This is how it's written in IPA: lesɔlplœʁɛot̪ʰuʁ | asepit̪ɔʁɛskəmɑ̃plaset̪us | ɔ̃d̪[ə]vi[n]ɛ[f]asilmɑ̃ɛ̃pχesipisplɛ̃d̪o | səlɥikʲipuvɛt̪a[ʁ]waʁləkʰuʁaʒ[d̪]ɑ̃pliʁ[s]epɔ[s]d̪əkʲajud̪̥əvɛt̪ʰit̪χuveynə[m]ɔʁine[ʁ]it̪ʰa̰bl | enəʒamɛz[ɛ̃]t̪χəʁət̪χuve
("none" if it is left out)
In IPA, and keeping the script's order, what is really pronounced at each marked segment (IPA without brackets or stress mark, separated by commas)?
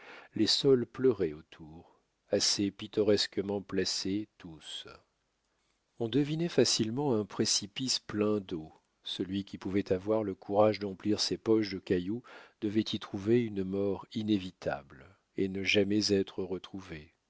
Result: ə, n, f, v, d̪, s, ʃ, m, v, ɛ